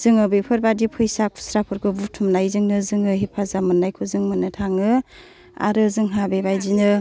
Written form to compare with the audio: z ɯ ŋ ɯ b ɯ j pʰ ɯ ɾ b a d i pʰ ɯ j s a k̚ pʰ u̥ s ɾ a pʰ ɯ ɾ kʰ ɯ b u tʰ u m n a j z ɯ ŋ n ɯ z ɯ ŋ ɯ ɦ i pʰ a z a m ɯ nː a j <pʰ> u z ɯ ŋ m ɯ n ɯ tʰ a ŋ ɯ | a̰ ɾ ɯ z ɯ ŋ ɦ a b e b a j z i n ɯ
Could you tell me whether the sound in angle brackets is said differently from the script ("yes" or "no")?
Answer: yes